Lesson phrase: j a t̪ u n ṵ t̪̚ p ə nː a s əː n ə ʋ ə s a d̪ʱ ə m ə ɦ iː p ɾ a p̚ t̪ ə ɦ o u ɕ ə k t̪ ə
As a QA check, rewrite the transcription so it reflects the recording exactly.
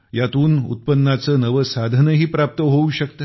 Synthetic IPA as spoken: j a t̪ uː n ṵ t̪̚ p ə nː a t͡s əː n ə ʋ ə s a d̪ʱ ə n ə ɦ iː p ɾ a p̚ t̪ ə ɦ o u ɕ ə k t̪ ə